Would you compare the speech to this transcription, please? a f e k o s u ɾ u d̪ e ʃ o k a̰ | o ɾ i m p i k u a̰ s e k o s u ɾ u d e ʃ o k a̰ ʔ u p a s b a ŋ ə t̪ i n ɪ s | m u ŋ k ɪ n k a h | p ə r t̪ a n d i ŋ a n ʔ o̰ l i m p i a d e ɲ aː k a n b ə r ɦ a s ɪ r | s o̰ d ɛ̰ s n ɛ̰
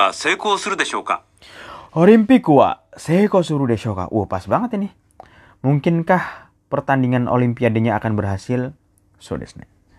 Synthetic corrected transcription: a s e k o s u ɾ u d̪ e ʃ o k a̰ | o ɾ i m p i k u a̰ s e k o s u ɾ u d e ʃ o k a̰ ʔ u p a s b a ŋ ə t̪ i n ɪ h | m u ŋ k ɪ n k a h | p ə r t̪ a n d i ŋ a n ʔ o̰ l i m p i a d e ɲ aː k a n b ə r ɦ a s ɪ l | s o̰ d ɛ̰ s n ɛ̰